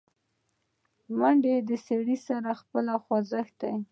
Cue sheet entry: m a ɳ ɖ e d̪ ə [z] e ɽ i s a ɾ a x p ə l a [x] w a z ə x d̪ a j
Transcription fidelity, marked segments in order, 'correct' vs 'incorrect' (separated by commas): incorrect, correct